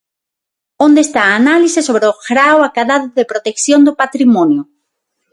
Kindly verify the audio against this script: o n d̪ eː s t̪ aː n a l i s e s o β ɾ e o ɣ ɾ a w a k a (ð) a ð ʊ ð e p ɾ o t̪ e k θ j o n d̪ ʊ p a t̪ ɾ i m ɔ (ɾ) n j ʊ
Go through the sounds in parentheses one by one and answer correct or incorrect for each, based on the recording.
correct, incorrect: none

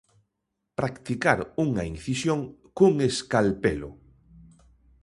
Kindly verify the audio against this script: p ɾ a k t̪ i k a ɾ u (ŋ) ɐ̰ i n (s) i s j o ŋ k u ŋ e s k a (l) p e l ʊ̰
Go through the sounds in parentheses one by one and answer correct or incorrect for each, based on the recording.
correct, incorrect: θ, correct

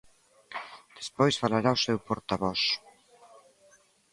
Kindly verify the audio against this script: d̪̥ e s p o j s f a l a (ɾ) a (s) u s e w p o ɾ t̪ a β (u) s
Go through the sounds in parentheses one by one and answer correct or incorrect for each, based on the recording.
correct, incorrect: none, incorrect: ɔ

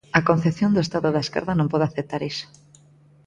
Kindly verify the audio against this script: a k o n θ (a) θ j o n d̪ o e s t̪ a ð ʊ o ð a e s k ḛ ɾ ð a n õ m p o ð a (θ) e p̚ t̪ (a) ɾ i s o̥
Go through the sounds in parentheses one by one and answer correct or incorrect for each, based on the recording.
incorrect: e, correct, correct

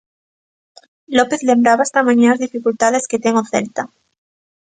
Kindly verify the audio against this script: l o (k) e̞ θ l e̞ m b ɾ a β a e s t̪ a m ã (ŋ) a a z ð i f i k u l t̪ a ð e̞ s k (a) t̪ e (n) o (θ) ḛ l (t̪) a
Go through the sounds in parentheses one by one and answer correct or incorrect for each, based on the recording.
incorrect: p, incorrect: ɲ, incorrect: e, incorrect: ŋ, correct, correct

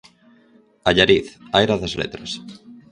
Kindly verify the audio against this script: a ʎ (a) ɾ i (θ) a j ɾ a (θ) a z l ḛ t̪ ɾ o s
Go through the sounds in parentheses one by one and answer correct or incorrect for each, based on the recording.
correct, correct, incorrect: ð

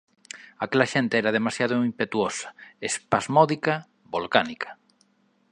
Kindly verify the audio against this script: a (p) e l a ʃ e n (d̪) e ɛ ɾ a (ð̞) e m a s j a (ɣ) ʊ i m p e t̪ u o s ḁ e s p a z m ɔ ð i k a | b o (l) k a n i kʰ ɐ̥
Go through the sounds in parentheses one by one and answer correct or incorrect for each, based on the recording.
incorrect: k, incorrect: t̪, correct, incorrect: ð, correct

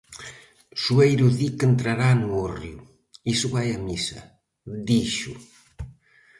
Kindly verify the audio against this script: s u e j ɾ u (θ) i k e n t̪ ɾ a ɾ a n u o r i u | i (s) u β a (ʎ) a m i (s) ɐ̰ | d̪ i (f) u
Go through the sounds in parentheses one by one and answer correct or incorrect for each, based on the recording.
incorrect: ð, correct, incorrect: j, correct, incorrect: ʃ

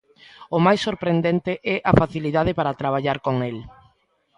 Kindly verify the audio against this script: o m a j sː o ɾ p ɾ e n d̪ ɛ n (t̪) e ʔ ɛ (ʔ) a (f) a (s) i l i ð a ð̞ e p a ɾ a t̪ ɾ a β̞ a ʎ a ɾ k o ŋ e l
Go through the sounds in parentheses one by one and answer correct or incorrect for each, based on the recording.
correct, correct, correct, incorrect: θ

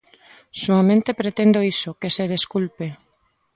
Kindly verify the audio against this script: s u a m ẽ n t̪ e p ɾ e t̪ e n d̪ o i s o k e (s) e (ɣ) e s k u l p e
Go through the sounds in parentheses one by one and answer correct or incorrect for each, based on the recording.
correct, incorrect: ð

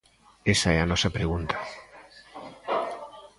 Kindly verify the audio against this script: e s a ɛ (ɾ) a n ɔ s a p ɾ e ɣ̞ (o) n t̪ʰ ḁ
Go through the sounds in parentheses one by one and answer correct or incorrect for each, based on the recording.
incorrect: none, incorrect: u

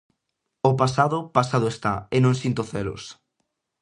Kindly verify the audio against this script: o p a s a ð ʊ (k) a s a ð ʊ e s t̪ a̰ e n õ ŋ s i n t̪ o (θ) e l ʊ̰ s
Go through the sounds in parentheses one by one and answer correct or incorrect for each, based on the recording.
incorrect: p, correct

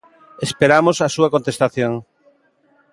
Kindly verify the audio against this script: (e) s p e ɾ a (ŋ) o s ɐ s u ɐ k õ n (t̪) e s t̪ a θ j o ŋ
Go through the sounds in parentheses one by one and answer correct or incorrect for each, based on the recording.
correct, incorrect: m, correct

